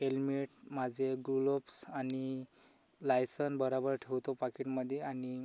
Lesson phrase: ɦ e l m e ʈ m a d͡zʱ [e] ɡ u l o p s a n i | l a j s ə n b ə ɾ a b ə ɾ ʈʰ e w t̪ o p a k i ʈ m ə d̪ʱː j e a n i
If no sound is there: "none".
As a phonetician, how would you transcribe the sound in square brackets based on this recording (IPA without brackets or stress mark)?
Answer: e